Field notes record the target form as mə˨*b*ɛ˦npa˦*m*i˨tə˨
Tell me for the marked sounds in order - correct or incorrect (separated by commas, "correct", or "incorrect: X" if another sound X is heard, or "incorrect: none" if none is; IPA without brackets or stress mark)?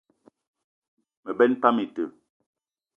correct, correct